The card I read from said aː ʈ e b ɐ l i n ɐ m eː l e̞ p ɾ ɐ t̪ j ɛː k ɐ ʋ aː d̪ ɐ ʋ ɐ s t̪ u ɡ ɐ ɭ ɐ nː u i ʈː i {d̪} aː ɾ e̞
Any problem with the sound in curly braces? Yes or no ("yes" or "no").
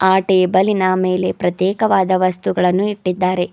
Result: yes